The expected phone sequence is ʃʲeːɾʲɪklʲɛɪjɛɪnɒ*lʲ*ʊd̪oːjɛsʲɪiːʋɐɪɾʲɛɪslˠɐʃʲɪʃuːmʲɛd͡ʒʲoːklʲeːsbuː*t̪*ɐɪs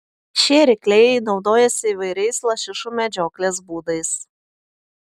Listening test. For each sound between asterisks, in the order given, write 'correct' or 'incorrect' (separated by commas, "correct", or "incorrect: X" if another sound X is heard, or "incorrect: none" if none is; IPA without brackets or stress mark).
incorrect: none, incorrect: d̪